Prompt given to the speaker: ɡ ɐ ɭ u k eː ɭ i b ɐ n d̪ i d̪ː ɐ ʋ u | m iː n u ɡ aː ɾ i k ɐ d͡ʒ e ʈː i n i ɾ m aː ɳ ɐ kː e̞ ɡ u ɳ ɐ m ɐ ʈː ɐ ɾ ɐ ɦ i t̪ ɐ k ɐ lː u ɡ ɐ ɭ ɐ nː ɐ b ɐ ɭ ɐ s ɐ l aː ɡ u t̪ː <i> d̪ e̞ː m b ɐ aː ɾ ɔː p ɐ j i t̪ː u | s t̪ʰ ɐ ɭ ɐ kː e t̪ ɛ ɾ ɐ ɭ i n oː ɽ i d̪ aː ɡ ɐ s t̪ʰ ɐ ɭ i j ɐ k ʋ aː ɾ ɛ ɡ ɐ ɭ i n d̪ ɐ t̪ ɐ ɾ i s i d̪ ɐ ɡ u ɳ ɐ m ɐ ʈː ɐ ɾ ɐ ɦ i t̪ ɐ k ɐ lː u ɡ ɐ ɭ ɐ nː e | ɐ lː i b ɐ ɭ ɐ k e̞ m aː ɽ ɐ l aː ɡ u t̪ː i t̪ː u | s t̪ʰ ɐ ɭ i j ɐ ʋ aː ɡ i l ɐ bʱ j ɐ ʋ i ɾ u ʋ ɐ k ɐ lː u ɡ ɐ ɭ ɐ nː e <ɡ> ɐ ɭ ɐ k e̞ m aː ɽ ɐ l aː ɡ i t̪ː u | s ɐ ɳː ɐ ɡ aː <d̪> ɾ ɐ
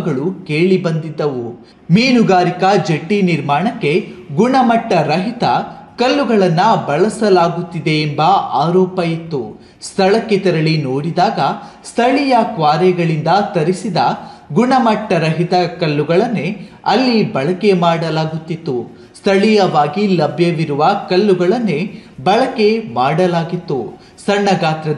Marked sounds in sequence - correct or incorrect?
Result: correct, incorrect: b, incorrect: t̪

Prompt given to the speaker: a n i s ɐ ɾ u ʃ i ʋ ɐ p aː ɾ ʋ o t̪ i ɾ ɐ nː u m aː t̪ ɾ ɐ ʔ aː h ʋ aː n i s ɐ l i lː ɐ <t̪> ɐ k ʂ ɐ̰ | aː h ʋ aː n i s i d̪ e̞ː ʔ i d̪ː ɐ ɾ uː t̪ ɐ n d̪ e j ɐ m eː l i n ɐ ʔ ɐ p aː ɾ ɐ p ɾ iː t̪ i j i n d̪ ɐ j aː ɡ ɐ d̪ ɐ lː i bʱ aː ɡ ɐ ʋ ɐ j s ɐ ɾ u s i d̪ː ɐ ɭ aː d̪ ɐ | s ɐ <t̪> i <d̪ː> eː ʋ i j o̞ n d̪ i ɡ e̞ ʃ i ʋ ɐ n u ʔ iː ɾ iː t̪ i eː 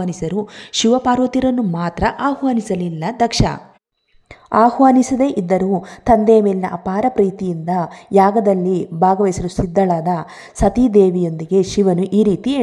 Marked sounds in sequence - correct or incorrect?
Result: incorrect: d̪, correct, incorrect: d̪

